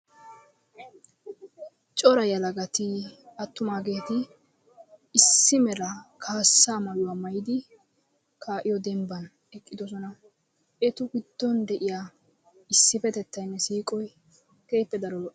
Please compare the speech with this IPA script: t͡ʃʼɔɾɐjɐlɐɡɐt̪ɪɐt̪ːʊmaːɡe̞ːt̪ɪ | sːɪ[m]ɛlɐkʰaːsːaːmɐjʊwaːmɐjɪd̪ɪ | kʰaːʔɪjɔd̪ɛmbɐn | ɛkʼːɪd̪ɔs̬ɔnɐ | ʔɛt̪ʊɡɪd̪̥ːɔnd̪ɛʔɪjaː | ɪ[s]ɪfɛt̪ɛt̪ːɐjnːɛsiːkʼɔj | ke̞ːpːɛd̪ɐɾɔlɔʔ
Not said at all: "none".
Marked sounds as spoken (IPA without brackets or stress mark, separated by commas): m, sː